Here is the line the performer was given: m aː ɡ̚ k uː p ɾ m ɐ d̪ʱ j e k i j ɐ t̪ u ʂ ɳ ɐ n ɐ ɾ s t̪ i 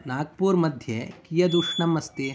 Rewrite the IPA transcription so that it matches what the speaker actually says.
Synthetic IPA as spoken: n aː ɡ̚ p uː ɾ m ɐ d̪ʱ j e k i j ɐ d̪ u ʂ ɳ ɐ m ɐ s t̪ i